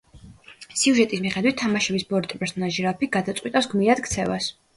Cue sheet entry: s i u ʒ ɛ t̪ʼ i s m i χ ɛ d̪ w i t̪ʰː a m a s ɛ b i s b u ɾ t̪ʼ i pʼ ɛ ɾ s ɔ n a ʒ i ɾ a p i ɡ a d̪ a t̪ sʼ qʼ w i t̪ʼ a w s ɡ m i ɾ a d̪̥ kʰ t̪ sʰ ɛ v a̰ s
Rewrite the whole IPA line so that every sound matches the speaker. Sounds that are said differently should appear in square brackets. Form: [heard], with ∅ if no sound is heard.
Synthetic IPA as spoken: s i u ʒ ɛ t̪ʼ i s m i χ ɛ d̪ w i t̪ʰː a m a [ʃ] ɛ b i s b [ɔ] ɾ t̪ʼ i pʼ ɛ ɾ s ɔ n a ʒ i ɾ a p i ɡ a d̪ a t̪ sʼ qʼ w i t̪ʼ a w s ɡ m i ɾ a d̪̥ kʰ t̪ sʰ ɛ v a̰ s